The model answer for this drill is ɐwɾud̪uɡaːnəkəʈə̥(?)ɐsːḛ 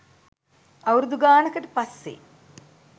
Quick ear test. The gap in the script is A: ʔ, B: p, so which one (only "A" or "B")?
B